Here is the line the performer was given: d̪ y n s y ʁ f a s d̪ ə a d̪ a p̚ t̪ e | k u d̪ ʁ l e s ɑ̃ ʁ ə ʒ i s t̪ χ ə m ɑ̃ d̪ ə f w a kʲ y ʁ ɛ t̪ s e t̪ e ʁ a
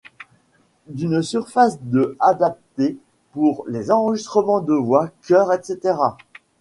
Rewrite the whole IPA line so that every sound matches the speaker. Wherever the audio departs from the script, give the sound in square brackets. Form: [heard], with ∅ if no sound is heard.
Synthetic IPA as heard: d̪ y n s y ʁ f a s d̪ ə a d̪ a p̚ t̪ e | [p] u [∅] ʁ l e [z] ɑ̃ ʁ ə ʒ i s t̪ χ ə m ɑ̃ d̪ ə [v] w a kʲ [œ] ʁ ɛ t̪ s e t̪ e ʁ a